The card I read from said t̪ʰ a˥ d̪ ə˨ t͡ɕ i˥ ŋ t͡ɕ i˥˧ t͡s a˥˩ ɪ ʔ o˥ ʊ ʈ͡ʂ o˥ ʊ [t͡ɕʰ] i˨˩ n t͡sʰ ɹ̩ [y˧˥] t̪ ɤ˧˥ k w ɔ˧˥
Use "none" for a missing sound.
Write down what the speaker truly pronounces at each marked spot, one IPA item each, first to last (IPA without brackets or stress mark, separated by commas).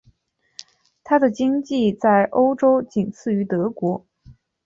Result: t͡ɕ, y˧˥